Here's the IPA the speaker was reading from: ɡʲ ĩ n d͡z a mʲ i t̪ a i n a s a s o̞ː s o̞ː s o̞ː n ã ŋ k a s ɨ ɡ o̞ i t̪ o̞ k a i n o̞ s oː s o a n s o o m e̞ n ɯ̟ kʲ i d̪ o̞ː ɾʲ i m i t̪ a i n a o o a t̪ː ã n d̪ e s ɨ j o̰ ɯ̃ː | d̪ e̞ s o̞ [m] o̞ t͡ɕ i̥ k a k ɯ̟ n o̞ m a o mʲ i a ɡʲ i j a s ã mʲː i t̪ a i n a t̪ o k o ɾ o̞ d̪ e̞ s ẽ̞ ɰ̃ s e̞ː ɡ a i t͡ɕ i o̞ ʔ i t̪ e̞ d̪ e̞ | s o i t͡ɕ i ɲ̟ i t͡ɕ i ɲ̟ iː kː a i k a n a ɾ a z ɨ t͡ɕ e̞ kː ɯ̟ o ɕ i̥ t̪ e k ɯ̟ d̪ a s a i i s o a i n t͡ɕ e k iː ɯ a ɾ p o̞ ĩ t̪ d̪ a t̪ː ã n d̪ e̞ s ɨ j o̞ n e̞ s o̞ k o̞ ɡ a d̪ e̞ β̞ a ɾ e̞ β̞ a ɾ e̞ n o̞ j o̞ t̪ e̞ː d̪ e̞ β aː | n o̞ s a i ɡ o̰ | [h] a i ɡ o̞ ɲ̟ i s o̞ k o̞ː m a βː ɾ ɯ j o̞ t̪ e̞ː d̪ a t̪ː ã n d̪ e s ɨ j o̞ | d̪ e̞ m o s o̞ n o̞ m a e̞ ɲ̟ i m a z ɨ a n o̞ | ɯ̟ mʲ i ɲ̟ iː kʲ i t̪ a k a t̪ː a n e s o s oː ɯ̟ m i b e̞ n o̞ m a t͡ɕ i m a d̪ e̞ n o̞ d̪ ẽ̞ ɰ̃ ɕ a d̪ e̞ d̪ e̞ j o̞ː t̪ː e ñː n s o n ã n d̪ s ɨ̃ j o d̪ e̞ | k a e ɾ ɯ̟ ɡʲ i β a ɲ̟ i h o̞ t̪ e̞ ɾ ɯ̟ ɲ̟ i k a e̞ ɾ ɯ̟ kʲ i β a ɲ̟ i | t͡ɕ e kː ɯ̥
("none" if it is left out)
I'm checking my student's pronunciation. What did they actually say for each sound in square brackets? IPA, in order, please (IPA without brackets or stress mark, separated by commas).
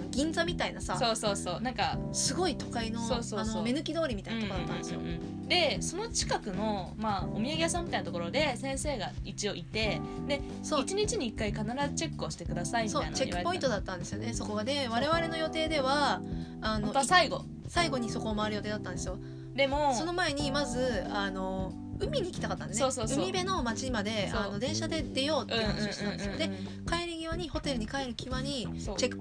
n, s